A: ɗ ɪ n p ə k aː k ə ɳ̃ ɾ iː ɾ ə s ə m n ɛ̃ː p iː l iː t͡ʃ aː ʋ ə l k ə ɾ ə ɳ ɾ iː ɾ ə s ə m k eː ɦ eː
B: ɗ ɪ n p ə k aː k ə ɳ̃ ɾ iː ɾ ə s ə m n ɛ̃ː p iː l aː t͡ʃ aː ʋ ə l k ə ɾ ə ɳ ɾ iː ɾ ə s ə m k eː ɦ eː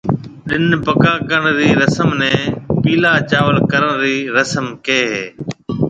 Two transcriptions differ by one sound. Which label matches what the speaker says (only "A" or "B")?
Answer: B